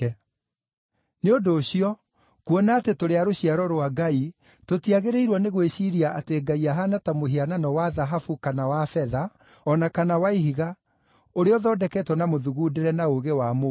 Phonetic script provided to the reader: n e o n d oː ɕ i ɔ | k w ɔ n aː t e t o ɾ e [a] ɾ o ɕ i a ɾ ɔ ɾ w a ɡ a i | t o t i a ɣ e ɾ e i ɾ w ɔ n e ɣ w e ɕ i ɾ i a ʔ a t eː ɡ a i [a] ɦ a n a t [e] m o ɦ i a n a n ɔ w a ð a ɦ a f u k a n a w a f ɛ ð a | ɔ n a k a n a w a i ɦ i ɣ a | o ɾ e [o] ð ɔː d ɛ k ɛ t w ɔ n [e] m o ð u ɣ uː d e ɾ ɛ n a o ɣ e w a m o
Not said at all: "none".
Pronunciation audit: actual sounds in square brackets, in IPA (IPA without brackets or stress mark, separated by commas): a, a, a, ɔ, a